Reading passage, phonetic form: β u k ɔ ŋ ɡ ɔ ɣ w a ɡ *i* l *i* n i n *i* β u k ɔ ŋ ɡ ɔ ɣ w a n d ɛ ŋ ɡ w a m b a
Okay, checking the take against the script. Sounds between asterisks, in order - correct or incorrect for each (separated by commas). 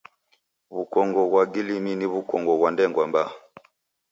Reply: correct, correct, correct